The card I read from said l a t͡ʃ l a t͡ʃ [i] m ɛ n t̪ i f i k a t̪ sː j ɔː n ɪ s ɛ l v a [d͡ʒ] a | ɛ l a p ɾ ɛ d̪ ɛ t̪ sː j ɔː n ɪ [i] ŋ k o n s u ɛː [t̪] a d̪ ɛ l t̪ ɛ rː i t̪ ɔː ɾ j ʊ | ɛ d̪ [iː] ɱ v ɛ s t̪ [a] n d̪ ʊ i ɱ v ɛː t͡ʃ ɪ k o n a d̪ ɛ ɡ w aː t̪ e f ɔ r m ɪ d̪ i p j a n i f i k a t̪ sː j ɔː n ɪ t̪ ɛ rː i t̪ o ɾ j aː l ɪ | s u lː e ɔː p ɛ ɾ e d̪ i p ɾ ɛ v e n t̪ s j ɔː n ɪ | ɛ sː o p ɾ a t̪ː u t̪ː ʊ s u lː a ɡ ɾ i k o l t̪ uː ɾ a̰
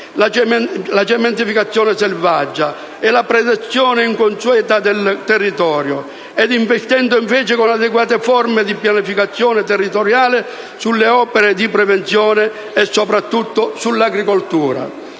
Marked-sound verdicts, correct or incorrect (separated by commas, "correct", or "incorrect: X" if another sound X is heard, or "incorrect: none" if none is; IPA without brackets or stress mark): incorrect: ɛ, incorrect: d͡ʒː, correct, correct, incorrect: i, incorrect: ɛ